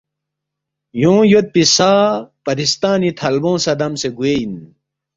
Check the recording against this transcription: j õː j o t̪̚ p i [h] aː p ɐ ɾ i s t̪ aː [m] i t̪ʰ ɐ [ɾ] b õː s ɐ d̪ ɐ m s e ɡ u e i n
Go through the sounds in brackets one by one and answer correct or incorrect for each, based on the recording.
incorrect: s, incorrect: n, incorrect: l

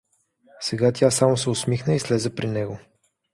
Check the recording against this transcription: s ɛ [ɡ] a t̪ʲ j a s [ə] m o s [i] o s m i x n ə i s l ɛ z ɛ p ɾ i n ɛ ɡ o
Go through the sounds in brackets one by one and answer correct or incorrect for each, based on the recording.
correct, incorrect: a, incorrect: ɛ

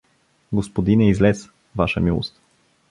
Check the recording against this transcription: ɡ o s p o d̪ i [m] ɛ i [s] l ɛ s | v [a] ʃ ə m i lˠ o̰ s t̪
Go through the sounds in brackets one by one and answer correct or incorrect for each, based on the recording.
incorrect: n, incorrect: z, correct

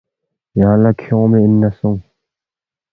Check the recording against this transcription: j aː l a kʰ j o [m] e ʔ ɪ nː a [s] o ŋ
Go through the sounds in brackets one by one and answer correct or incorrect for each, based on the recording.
correct, correct

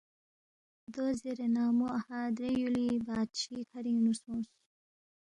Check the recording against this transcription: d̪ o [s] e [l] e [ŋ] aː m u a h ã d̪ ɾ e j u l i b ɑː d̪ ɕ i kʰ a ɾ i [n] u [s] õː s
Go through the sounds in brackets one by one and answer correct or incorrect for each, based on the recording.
incorrect: z, incorrect: ɾ, incorrect: n, correct, correct

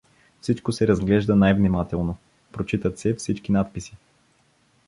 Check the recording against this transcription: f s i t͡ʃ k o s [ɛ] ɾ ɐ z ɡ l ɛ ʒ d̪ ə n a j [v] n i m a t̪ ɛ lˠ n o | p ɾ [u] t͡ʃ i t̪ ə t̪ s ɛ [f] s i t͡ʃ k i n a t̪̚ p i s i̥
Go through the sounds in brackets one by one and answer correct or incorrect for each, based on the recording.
correct, correct, incorrect: o, correct

